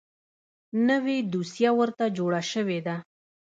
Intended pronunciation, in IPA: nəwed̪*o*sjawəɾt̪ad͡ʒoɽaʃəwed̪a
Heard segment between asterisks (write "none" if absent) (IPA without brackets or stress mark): u